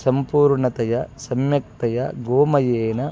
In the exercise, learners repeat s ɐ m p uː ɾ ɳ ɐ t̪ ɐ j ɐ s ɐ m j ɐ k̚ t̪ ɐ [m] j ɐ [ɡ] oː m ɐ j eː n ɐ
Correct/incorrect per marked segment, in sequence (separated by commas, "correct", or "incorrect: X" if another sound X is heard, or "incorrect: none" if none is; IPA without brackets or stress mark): incorrect: none, correct